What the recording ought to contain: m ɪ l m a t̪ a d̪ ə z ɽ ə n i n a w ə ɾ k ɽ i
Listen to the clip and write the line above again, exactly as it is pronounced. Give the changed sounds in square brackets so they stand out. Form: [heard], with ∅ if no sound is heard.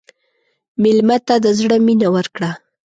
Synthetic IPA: m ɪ l m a t̪ a d̪ ə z ɽ ə [m] i n a w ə ɾ k ɽ [a]